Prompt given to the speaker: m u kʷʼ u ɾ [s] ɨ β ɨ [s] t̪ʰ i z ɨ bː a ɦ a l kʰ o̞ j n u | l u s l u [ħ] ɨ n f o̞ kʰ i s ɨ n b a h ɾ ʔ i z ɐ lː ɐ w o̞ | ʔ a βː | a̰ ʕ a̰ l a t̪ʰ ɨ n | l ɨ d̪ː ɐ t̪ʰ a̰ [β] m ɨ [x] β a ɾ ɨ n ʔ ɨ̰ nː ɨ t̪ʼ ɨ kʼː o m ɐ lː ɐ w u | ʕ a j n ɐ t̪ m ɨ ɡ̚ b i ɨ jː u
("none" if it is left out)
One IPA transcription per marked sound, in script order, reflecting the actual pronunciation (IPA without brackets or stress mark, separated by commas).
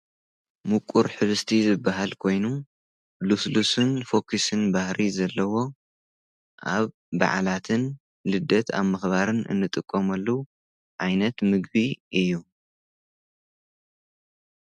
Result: ħ, s, s, β, x